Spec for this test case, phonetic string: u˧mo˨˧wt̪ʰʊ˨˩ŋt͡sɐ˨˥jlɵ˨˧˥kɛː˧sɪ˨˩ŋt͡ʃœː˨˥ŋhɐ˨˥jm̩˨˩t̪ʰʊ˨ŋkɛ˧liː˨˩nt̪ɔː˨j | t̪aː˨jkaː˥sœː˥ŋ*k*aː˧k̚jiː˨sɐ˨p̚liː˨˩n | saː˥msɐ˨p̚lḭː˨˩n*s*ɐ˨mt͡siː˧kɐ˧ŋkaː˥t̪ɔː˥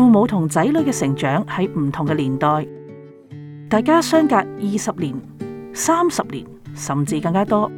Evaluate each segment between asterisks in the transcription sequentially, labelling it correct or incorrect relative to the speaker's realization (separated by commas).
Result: correct, correct